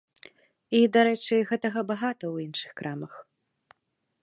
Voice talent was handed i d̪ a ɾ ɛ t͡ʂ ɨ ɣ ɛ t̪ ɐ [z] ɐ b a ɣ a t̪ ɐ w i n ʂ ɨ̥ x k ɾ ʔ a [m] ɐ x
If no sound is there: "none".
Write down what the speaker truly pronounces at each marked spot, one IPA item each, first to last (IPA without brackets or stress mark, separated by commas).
ɣ, m